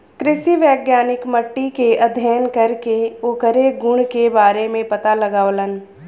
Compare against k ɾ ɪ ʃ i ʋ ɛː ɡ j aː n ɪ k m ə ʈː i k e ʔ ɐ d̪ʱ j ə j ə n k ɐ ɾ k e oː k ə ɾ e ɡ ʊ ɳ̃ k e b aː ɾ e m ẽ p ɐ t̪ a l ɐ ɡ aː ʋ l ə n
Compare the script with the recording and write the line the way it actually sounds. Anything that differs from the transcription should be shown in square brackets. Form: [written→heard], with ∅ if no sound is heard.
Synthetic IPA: k ɾ ɪ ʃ i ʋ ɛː ɡ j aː n ɪ k m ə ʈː i k e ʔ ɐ d̪ʱ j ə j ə n k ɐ ɾ k e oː k ə ɾ e ɡ ʊ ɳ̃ k e b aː ɾ e m ẽ p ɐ t̪ a l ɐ ɡ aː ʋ l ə n